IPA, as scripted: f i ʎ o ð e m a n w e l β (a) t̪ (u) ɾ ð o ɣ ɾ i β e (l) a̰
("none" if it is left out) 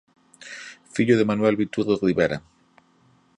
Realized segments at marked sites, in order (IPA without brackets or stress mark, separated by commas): i, u, ɾ